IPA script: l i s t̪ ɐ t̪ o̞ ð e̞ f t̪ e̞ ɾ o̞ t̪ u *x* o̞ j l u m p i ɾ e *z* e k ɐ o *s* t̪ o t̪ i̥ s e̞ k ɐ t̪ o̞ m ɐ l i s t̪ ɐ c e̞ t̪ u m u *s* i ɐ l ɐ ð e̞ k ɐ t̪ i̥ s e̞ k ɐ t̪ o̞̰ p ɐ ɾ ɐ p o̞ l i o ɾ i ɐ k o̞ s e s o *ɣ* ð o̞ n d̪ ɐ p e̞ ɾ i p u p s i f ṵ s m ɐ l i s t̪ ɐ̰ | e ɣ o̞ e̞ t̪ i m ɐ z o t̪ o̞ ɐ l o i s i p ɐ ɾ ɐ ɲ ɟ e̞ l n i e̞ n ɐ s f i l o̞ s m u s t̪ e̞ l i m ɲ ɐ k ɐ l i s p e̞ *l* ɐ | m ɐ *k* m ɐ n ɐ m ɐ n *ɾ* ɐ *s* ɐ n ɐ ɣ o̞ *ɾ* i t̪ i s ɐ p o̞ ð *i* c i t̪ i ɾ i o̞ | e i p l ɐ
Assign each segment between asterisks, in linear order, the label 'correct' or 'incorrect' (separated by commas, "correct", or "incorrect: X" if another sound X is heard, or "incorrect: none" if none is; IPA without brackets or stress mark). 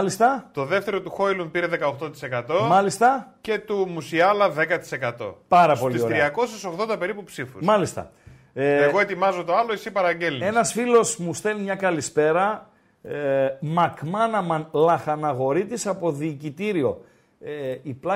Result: correct, incorrect: ð, incorrect: x, correct, correct, incorrect: ɾ, correct, incorrect: l, incorrect: x, correct, incorrect: iː